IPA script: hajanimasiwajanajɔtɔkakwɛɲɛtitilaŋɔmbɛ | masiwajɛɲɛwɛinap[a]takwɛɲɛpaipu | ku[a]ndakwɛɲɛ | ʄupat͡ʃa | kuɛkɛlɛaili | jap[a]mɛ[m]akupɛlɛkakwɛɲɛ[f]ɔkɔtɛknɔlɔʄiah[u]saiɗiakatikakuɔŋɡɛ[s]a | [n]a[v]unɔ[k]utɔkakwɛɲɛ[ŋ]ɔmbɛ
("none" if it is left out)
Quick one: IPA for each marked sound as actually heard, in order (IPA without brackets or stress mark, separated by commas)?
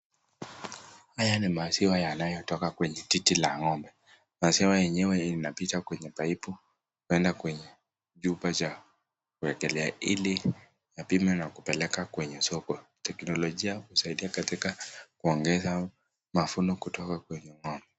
i, ɛ, i, n, s, u, z, m, f, k, ŋ